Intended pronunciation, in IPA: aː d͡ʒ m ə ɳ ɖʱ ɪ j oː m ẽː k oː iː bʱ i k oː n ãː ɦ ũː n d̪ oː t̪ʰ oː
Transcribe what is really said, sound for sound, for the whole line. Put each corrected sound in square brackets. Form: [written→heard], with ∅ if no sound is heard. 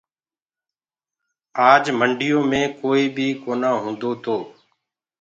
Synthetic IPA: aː d͡ʒ m ə ɳ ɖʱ ɪ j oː m ẽː k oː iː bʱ [i→iː] k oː n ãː ɦ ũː n d̪ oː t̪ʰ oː